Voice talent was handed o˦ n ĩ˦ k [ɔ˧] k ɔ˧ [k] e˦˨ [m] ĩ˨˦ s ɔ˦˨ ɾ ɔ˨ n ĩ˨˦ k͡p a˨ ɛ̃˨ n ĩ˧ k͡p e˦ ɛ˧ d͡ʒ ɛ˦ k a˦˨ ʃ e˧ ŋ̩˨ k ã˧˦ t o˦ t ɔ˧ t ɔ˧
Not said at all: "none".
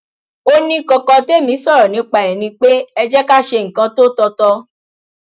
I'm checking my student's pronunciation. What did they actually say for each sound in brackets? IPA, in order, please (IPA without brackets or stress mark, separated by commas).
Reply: ɔ˧, t, m